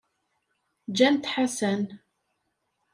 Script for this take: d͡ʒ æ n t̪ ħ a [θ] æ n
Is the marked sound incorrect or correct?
incorrect